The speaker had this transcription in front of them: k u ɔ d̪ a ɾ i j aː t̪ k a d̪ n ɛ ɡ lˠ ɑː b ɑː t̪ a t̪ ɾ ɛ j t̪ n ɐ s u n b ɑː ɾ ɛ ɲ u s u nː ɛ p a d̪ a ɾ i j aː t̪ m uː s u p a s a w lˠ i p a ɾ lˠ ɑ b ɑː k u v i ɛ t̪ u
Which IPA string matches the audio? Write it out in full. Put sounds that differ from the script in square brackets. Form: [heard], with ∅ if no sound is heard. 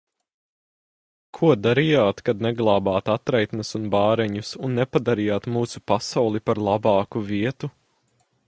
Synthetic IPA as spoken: [kʰ] u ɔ d̪ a ɾ i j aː t̪ k a d̪ n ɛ ɡ lˠ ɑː b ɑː t̪ a t̪ ɾ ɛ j t̪ n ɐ s u n b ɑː ɾ ɛ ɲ u s u nː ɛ p a d̪ a ɾ i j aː t̪ m uː s u p a s a w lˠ i p a ɾ lˠ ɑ b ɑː k u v i ɛ t̪ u

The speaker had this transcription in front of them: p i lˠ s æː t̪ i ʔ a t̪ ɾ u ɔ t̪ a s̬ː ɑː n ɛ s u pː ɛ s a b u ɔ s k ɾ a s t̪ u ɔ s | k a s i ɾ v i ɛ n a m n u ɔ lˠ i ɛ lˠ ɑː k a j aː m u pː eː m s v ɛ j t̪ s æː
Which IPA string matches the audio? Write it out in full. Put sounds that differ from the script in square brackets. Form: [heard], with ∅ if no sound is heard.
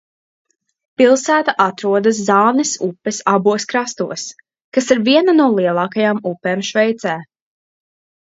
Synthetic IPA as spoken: p i lˠ s æː t̪ [a] ʔ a t̪ ɾ u ɔ [d̪] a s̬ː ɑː n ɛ s u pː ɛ s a b u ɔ s k ɾ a s t̪ u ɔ s | k a s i ɾ v i ɛ n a [∅] n u ɔ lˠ i ɛ lˠ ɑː k a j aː m u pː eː m [ʃ] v ɛ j t̪ s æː

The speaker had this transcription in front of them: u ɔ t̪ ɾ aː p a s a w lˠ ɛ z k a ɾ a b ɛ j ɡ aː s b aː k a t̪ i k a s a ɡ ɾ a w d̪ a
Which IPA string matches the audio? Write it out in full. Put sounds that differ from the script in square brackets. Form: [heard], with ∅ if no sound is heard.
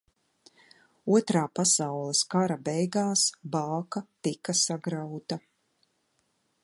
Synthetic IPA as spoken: u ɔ t̪ ɾ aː p a s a w lˠ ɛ [s] k a ɾ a b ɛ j ɡ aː s b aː k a t̪ i k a s a ɡ ɾ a w [t̪] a

